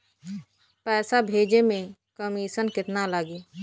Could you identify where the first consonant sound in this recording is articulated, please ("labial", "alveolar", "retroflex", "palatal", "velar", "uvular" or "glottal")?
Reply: labial